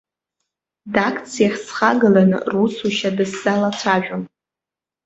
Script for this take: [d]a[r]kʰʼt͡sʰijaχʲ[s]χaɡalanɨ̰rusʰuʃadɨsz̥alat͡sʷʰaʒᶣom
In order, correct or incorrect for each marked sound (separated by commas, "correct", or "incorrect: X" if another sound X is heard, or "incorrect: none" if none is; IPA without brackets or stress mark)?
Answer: correct, incorrect: none, correct